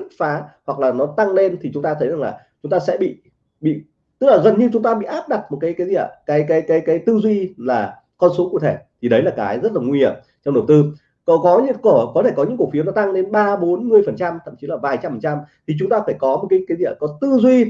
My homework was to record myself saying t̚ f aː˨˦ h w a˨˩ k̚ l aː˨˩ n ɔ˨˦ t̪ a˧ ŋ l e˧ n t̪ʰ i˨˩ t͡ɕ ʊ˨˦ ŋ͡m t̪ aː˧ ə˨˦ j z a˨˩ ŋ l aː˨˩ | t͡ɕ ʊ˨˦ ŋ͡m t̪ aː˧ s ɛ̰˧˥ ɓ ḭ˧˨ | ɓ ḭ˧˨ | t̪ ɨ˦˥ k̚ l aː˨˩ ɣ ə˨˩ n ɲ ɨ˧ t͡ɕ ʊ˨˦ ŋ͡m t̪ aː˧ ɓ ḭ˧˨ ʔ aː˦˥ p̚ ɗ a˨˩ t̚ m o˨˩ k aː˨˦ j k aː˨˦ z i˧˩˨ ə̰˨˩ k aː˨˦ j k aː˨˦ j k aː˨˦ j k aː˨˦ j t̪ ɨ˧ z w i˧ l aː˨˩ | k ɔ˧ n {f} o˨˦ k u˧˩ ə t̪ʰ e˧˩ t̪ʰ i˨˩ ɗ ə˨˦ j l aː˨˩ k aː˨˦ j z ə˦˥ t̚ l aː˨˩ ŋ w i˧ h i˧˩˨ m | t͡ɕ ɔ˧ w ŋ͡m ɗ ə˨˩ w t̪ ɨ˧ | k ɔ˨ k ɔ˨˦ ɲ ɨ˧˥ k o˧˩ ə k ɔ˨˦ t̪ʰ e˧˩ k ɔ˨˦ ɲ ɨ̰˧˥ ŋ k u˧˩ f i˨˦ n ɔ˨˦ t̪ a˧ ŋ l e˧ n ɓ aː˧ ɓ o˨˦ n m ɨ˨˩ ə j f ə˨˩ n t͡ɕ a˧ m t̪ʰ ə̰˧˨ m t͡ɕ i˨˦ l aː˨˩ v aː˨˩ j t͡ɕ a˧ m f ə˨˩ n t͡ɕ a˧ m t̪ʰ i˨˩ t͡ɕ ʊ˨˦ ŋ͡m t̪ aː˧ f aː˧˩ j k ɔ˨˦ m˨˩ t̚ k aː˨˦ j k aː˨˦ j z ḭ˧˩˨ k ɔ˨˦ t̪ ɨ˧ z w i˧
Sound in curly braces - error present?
yes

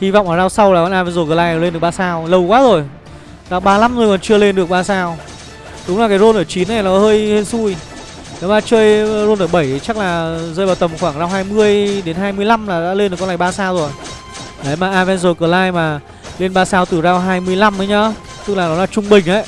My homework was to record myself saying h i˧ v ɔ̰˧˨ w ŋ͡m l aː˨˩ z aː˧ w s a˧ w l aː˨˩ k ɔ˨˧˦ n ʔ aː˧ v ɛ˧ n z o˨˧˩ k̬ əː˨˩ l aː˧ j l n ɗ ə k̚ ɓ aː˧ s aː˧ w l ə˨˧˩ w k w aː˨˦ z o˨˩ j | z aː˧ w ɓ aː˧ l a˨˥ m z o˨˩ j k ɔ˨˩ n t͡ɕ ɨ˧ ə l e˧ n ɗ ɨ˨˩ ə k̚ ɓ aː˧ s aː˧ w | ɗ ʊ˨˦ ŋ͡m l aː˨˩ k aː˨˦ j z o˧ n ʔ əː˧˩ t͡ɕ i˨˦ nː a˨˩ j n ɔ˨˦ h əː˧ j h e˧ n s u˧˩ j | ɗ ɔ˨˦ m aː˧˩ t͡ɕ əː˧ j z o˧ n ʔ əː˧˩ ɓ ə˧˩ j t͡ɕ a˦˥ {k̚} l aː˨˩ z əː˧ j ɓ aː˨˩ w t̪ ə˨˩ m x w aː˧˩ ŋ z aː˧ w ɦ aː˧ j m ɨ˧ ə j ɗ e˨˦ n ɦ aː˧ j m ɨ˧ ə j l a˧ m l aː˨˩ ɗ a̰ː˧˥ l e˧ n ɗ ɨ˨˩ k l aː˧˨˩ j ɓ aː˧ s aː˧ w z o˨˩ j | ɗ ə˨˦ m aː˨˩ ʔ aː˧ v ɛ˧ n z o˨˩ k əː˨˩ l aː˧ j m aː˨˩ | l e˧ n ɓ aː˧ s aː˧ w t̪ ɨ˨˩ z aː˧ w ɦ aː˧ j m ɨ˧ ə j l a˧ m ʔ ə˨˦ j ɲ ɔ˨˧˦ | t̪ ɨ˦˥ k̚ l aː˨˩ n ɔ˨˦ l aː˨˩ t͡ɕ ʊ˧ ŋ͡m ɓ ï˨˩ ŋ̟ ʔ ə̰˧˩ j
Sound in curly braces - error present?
no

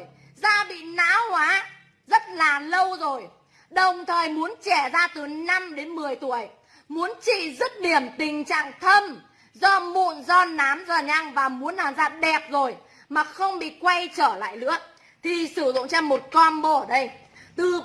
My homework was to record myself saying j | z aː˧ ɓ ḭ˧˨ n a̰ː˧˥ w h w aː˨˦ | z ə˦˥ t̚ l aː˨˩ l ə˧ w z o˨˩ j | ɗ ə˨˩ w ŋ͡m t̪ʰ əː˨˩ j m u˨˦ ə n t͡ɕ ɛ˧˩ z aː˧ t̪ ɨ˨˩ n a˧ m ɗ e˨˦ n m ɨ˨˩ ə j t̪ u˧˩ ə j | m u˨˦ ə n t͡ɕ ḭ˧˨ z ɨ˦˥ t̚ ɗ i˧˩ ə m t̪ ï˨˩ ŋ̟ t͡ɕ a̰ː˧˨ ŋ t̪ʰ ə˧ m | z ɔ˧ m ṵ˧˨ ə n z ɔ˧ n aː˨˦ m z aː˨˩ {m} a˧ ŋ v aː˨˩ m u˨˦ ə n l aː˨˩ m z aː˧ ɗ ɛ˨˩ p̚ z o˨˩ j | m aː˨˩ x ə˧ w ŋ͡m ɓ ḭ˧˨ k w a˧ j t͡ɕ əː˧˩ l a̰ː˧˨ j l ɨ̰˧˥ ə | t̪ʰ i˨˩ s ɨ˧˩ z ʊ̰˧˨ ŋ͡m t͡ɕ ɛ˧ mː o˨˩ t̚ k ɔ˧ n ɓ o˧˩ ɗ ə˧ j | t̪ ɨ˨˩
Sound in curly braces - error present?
yes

